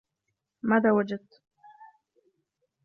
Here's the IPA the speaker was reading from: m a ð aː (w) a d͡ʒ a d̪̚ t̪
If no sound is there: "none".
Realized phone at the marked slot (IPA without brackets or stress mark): w